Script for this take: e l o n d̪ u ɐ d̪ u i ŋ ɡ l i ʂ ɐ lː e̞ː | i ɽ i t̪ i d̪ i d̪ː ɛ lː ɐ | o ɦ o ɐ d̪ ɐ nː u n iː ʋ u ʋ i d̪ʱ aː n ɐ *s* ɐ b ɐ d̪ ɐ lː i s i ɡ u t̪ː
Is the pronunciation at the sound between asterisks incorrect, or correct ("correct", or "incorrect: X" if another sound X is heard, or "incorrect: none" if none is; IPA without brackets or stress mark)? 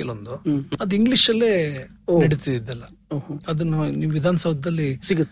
correct